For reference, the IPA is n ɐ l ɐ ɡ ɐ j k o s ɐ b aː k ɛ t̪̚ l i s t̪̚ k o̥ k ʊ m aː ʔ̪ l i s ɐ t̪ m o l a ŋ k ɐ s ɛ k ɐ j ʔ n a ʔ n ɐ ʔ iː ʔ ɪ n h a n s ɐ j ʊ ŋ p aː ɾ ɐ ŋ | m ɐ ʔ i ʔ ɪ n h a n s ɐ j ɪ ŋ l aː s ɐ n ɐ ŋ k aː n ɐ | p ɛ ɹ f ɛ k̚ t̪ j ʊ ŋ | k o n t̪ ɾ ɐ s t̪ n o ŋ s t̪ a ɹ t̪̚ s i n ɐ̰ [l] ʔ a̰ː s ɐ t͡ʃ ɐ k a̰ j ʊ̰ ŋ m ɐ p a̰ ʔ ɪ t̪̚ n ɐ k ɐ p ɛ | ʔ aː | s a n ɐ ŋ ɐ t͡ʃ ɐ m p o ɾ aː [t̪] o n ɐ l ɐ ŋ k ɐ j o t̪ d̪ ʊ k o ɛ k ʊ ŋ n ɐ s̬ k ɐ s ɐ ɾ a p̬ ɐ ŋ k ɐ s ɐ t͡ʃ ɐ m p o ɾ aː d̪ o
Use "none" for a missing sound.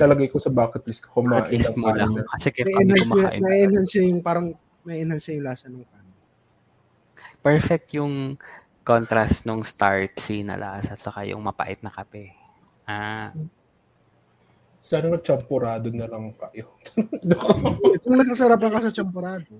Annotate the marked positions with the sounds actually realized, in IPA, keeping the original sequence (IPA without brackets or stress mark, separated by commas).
l, d̪